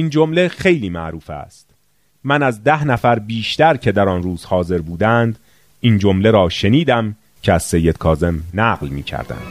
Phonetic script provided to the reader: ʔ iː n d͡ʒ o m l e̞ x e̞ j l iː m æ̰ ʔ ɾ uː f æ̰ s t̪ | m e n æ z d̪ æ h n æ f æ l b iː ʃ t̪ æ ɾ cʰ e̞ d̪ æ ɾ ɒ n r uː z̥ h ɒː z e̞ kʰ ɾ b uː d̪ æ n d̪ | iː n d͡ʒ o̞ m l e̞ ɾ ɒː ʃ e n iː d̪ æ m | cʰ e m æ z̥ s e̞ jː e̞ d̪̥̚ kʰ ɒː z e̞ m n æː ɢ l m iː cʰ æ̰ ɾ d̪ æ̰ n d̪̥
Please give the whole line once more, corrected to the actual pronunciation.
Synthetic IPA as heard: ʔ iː n d͡ʒ o m l e̞ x e̞ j l iː m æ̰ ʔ ɾ uː f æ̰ s t̪ | m æ n æ z d̪ æ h n æ f æ ɾ b iː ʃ t̪ æ ɾ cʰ e̞ d̪ æ ɾ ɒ n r uː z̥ h ɒː z e̞ ɾ b uː d̪ æ n d̪ | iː n d͡ʒ o̞ m l e̞ ɾ ɒː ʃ e n iː d̪ æ m | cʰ e æ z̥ s e̞ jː e̞ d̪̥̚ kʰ ɒː z e̞ m n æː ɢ l m iː cʰ æ̰ ɾ d̪ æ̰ n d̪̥